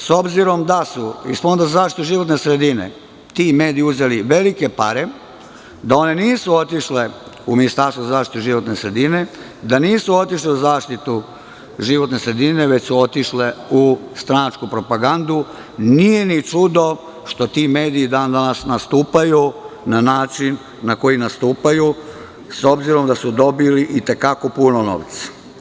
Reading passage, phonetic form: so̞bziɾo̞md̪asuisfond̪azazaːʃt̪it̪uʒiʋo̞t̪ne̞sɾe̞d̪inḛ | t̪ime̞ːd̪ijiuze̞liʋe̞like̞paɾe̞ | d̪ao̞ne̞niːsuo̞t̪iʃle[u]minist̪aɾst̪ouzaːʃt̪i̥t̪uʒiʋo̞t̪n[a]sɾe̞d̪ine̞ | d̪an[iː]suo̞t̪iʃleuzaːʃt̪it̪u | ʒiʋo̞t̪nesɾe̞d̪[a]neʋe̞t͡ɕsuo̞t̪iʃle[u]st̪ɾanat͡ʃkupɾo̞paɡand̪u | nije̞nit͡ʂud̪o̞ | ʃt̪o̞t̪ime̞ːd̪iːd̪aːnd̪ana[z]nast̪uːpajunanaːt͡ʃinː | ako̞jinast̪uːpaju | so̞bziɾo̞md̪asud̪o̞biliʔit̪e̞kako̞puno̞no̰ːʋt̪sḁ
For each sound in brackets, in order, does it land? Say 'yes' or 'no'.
yes, no, yes, no, yes, no

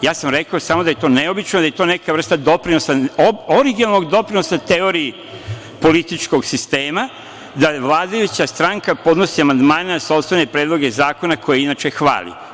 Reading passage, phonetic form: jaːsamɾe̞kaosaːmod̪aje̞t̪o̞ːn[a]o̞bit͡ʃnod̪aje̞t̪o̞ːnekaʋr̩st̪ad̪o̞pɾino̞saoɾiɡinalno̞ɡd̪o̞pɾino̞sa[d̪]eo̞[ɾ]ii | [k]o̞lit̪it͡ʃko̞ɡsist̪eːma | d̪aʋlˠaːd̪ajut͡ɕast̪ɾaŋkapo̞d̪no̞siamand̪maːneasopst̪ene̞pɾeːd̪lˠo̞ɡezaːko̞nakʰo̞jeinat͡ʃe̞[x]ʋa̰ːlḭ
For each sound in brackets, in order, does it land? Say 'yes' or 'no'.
no, no, yes, no, yes

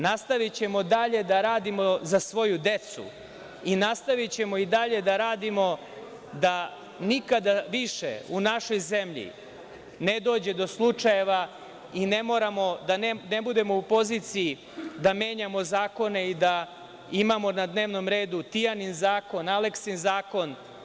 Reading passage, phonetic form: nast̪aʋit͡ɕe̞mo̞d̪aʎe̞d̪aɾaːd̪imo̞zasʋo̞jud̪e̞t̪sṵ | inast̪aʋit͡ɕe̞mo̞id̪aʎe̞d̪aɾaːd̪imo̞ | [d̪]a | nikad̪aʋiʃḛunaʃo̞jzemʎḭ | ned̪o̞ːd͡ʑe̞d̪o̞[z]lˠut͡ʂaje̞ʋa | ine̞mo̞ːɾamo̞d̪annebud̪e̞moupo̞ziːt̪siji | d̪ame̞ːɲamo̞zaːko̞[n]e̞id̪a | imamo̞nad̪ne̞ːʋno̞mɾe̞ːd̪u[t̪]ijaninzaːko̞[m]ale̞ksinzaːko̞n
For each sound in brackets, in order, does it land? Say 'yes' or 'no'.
yes, no, yes, yes, no

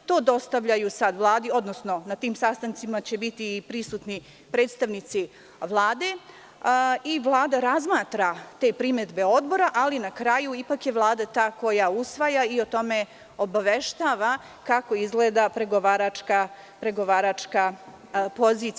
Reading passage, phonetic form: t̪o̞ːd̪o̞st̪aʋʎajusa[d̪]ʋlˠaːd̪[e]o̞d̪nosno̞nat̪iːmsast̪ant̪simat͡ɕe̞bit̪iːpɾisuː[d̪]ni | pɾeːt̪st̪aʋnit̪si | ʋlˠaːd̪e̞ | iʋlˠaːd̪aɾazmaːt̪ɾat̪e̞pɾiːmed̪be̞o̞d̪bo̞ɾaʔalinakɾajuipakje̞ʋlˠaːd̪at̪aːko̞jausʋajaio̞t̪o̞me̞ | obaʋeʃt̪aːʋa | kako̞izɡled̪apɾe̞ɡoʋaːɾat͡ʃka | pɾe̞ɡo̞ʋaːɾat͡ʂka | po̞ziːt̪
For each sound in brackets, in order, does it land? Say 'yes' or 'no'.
yes, no, no

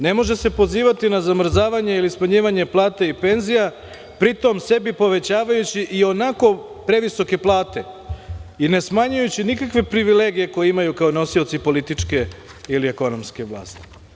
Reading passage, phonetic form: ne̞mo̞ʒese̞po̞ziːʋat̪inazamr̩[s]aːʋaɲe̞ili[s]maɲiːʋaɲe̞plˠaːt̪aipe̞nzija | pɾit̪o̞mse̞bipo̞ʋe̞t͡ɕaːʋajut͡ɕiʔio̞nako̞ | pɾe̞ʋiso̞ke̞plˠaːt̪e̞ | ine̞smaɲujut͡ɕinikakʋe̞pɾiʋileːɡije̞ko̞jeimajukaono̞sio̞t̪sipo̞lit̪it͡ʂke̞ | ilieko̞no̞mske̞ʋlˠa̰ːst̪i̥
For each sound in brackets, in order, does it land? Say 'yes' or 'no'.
no, yes

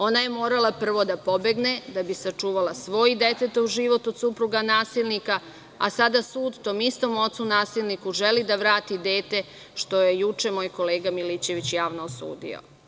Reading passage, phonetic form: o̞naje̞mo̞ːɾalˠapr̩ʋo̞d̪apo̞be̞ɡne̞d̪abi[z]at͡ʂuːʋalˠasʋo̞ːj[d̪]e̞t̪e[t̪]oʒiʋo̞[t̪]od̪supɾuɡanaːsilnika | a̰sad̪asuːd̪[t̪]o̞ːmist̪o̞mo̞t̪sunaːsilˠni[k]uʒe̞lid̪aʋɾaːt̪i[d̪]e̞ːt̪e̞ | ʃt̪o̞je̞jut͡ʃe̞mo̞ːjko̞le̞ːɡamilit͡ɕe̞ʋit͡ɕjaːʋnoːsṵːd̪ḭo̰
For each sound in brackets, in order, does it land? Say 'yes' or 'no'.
no, yes, yes, yes, yes, yes, yes

